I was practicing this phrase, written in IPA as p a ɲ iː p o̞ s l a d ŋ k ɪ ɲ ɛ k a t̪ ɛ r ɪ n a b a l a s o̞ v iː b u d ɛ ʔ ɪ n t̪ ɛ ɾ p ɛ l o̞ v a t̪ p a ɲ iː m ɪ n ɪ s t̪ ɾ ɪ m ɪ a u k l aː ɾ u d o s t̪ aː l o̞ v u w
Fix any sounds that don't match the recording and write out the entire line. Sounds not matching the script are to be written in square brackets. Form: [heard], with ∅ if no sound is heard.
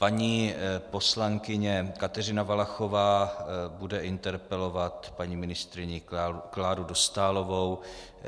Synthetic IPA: p a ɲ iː p o̞ s l a [∅] ŋ k ɪ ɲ ɛ k a t̪ ɛ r ɪ n a [v] a l a [x] o̞ v [aː] b u d ɛ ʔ ɪ n t̪ ɛ ɾ p ɛ l o̞ v a t̪ p a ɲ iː m ɪ n ɪ s t̪ ɾ ɪ [ɲ] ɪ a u k l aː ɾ u d o s t̪ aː l o̞ v [o] w